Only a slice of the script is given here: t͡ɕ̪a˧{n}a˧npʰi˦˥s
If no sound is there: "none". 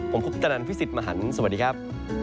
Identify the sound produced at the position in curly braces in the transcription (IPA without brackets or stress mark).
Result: n